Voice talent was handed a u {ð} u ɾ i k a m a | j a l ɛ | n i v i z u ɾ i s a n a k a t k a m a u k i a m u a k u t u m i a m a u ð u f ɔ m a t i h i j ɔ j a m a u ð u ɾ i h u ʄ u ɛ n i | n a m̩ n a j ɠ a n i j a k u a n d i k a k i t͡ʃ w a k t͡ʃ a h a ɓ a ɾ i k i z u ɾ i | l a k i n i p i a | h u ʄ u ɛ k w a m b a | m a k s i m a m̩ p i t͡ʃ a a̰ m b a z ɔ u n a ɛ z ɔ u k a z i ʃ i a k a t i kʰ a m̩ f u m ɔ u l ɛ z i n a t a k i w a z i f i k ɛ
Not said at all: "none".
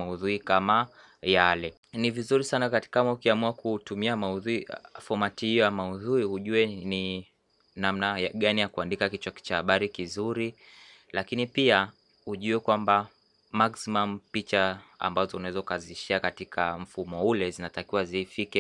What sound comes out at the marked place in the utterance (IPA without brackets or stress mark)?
ð